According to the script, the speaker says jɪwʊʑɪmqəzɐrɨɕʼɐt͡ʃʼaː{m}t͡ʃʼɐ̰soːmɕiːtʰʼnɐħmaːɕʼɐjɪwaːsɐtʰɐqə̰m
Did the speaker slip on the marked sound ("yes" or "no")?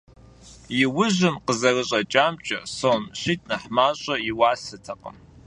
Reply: no